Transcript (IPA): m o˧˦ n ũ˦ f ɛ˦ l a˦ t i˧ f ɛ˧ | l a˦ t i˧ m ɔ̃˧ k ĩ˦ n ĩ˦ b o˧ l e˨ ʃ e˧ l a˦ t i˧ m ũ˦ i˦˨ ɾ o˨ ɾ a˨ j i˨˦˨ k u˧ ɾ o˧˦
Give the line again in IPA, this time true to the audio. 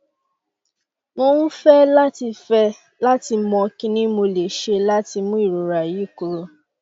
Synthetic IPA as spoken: m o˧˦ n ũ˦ f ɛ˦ l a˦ t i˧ f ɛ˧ | l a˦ t i˧ m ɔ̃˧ k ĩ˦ n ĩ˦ m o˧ l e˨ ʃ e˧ l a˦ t i˧ m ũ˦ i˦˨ ɾ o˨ ɾ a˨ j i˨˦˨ k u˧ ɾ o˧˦